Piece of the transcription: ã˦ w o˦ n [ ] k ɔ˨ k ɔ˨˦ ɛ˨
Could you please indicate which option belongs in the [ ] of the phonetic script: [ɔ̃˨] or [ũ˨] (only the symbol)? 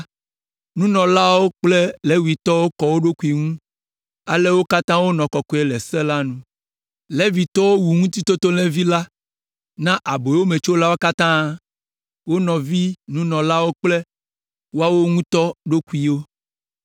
ɔ̃˨